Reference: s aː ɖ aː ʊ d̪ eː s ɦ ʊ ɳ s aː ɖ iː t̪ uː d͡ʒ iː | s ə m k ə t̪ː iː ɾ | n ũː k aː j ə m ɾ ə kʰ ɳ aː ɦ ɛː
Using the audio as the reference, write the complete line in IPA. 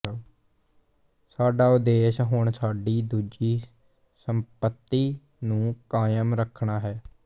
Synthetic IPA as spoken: s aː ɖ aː ʊ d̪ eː ʃ ɦ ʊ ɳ s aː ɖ iː d̪ uː d͡ʒ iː | s ə m p ə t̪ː iː | n ũː k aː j ə m ɾ ə kʰ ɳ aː ɦ ɛː